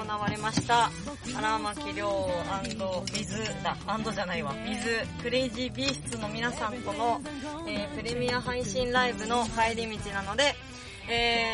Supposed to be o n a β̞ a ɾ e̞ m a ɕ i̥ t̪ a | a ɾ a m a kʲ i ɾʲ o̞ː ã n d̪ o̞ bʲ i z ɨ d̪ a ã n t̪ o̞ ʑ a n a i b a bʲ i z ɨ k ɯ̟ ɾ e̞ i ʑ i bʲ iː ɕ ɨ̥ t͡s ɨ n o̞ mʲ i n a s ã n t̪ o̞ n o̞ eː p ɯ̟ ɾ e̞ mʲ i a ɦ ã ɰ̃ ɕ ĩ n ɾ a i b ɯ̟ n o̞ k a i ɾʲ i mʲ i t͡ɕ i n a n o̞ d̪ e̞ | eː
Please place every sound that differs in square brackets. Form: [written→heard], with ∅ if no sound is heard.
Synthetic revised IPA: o n a β̞ a ɾ e̞ m a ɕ i̥ t̪ a | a ɾ a m a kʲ i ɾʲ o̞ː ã n d̪ o̞ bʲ i z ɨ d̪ a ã n [t̪→d̪] o̞ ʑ a n a i [b→β] a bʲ i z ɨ k ɯ̟ ɾ e̞ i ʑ i bʲ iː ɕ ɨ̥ t͡s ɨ n o̞ mʲ i n a s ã n t̪ o̞ n o̞ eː p ɯ̟ ɾ e̞ mʲ i a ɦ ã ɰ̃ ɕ ĩ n ɾ a i b ɯ̟ n o̞ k a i ɾʲ i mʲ i t͡ɕ i n a n o̞ d̪ e̞ | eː